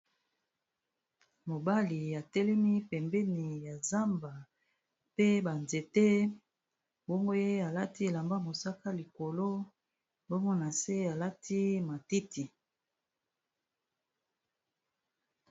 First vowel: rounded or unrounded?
rounded